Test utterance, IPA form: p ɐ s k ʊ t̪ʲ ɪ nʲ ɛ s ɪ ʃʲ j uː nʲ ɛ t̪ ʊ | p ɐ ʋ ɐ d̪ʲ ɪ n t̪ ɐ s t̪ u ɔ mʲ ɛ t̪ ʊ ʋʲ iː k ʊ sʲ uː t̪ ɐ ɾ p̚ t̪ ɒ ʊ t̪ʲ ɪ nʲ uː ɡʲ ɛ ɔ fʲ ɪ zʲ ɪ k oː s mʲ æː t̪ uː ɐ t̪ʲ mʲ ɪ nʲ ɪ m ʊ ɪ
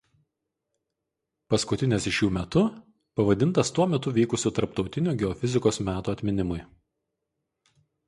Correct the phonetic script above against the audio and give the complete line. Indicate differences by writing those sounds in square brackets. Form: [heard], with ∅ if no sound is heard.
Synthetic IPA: p ɐ s k ʊ t̪ʲ ɪ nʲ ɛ s ɪ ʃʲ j uː [mʲ] ɛ t̪ ʊ | p ɐ ʋ ɐ d̪ʲ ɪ n t̪ ɐ s t̪ u ɔ mʲ ɛ t̪ ʊ ʋʲ iː k ʊ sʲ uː t̪ ɐ ɾ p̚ t̪ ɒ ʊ t̪ʲ ɪ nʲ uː ɡʲ ɛ ɔ fʲ ɪ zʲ ɪ k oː s mʲ æː t̪ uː ɐ t̪ʲ mʲ ɪ nʲ ɪ m ʊ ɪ

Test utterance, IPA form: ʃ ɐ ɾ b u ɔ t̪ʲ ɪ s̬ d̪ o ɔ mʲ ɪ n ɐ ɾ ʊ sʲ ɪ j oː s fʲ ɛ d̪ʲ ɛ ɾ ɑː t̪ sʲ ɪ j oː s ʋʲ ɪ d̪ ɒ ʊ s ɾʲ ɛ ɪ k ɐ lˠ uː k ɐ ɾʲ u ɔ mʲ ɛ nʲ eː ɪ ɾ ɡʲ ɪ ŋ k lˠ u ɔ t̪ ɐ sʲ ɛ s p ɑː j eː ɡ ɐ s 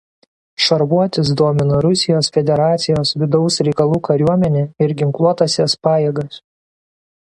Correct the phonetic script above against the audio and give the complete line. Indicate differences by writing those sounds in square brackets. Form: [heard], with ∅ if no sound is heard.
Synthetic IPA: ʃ ɐ ɾ b u ɔ t̪ʲ ɪ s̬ d̪ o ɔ mʲ ɪ n ɐ ɾ ʊ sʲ ɪ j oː s fʲ ɛ d̪ʲ ɛ ɾ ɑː t̪ sʲ ɪ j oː s ʋʲ ɪ d̪ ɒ ʊ s ɾʲ ɛ ɪ k ɐ lˠ uː k ɐ ɾʲ u ɔ mʲ ɛ nʲ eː ɪ ɾ ɡʲ ɪ ŋ k lˠ u ɔ t̪ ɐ sʲ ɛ s p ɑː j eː ɡ ɐ s

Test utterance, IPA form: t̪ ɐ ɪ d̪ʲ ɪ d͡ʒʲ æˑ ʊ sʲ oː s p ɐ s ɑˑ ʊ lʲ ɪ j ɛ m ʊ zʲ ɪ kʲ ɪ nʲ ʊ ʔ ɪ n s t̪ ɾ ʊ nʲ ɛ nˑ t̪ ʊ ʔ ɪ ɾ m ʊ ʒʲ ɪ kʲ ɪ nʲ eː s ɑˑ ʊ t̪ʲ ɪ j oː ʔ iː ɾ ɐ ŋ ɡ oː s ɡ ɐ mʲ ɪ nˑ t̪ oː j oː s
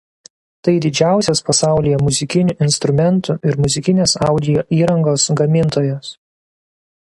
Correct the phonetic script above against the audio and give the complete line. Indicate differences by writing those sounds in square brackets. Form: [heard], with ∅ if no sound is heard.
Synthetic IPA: t̪ ɐ ɪ d̪ʲ ɪ d͡ʒʲ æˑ ʊ sʲ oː s p ɐ s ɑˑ ʊ lʲ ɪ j ɛ m ʊ zʲ ɪ kʲ ɪ nʲ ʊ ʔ ɪ n s t̪ ɾ ʊ [mʲ] ɛ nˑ t̪ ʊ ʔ ɪ ɾ m ʊ [zʲ] ɪ kʲ ɪ nʲ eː s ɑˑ ʊ [d̪ʲ] ɪ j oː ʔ iː ɾ ɐ ŋ ɡ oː s ɡ ɐ mʲ ɪ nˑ t̪ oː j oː s

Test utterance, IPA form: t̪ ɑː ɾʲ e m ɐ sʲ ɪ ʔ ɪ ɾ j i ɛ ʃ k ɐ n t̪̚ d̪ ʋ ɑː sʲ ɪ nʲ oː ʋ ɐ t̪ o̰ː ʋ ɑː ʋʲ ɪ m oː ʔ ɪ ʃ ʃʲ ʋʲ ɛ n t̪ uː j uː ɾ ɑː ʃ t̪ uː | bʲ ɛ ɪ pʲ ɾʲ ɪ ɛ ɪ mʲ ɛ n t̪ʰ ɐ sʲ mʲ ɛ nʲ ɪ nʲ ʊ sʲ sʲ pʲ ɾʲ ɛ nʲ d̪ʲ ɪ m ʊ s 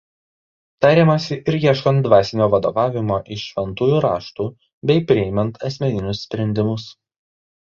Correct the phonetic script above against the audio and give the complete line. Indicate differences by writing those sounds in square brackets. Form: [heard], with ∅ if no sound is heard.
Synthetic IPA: t̪ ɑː ɾʲ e m ɐ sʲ ɪ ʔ ɪ ɾ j i ɛ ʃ k ɐ n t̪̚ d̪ ʋ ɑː sʲ ɪ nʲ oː ʋ ɐ [d̪] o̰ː ʋ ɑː ʋʲ ɪ m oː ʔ ɪ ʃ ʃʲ ʋʲ ɛ n t̪ uː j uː ɾ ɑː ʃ t̪ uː | bʲ ɛ ɪ pʲ ɾʲ ɪ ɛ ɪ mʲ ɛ n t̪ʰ ɐ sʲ mʲ ɛ nʲ ɪ nʲ ʊ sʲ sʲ pʲ ɾʲ ɛ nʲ d̪ʲ ɪ m ʊ s

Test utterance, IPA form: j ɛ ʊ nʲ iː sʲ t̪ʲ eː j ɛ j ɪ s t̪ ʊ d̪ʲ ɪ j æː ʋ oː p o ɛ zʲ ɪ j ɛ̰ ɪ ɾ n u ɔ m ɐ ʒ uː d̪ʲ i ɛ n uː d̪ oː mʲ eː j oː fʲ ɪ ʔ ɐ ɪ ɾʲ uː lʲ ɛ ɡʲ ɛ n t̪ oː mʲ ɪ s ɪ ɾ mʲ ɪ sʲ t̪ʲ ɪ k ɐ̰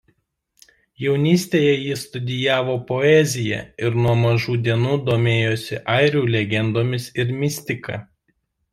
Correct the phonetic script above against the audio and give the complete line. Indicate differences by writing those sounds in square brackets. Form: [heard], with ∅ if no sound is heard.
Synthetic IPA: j ɛ ʊ nʲ iː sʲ t̪ʲ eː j ɛ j ɪ s t̪ ʊ d̪ʲ ɪ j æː ʋ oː p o ɛ zʲ ɪ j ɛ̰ ɪ ɾ n u ɔ m ɐ ʒ uː d̪ʲ i ɛ n uː d̪ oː mʲ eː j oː [sʲ] ɪ ʔ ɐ ɪ ɾʲ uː lʲ ɛ ɡʲ ɛ n [d̪] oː mʲ ɪ s ɪ ɾ mʲ ɪ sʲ t̪ʲ ɪ k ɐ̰

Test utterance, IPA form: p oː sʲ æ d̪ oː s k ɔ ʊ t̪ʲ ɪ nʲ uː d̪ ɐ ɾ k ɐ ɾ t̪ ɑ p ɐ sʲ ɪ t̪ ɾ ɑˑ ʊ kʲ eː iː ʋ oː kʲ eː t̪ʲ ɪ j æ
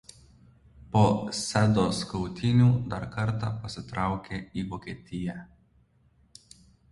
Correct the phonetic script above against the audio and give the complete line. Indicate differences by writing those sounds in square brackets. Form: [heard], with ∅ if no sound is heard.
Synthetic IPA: p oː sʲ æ d̪ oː s k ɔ ʊ t̪ʲ ɪ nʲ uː d̪ ɐ ɾ k ɐ ɾ t̪ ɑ p ɐ sʲ ɪ t̪ ɾ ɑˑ ʊ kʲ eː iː ʋ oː kʲ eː t̪ʲ ɪ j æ

